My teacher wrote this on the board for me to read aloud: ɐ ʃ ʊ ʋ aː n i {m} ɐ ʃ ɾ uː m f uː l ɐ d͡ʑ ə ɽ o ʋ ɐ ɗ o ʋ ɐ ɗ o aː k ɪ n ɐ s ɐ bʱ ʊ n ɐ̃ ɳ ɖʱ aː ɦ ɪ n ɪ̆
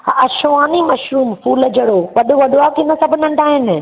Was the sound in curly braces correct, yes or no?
yes